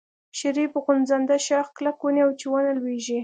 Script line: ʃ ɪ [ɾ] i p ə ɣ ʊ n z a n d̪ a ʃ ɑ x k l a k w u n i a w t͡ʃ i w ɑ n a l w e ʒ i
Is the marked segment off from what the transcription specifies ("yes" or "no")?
no